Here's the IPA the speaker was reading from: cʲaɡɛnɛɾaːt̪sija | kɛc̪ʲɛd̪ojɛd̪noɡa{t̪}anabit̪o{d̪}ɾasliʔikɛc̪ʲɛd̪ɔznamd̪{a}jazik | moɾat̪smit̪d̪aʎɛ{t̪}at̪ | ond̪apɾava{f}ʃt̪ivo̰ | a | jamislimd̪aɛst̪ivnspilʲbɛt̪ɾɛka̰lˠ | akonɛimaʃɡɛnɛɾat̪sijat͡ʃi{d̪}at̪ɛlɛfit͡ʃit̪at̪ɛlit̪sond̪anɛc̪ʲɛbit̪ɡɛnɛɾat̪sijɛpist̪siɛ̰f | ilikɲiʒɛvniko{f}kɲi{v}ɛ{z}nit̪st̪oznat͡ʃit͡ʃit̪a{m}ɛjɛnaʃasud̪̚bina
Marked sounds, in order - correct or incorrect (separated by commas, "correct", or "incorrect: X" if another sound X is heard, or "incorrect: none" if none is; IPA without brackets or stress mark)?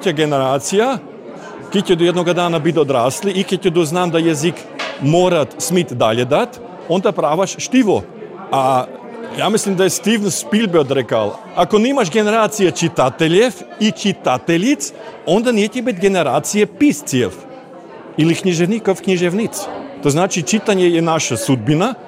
incorrect: d̪, correct, correct, incorrect: d̪, incorrect: ʃ, incorrect: t̪, correct, incorrect: ʒ, incorrect: v, incorrect: ɲ